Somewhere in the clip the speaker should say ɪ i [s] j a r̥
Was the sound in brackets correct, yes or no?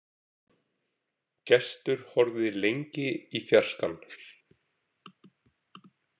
no